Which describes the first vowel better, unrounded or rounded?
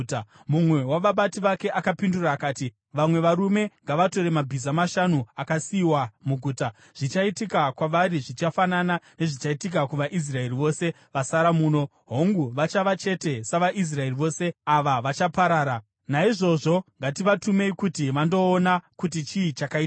rounded